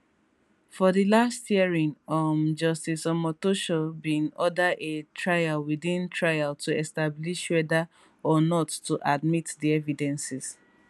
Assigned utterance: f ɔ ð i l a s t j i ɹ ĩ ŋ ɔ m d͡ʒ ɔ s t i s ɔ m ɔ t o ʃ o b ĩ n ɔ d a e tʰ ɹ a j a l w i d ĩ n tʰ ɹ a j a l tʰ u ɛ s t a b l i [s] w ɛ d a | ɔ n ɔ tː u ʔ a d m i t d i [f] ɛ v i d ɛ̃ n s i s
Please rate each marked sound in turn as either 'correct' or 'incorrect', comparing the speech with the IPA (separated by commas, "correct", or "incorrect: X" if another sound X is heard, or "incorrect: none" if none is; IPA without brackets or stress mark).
incorrect: ʃ, incorrect: none